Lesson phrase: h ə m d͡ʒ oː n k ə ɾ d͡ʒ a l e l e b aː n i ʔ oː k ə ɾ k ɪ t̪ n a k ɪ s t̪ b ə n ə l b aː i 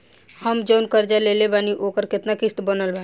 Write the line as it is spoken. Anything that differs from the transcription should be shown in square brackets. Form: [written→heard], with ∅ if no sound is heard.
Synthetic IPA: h ə m d͡ʒ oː n k ə ɾ d͡ʒ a l e l e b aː n i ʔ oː k ə ɾ k ɪ t̪ n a k ɪ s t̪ b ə n ə l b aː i